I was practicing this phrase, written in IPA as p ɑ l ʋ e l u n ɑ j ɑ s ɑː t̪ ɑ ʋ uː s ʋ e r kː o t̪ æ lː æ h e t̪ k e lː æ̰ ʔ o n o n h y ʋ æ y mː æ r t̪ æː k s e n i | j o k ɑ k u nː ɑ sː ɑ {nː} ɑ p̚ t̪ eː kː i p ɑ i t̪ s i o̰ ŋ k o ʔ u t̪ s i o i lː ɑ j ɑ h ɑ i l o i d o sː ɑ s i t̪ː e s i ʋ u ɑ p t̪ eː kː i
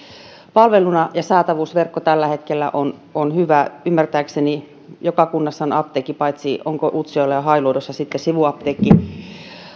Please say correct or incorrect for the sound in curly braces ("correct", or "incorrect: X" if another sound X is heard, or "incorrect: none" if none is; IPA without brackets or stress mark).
incorrect: n